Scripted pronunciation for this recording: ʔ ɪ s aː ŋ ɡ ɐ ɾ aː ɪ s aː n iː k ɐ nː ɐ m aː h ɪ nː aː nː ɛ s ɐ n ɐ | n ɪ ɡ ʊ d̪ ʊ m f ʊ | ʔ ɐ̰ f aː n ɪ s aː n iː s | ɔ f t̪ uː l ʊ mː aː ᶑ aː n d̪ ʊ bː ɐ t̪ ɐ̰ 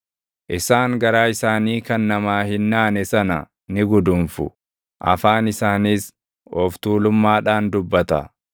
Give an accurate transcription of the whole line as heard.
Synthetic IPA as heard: ʔ ɪ s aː ŋ ɡ ɐ ɾ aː ɪ s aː n iː k ɐ nː ɐ m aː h ɪ nː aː n ɛ s ɐ n ɐ | n ɪ ɡ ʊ d̪ ʊ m f ʊ | ʔ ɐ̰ f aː n ɪ s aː n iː s | ɔ f t̪ uː l ʊ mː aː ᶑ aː n d̪ ʊ bː ɐ t̪ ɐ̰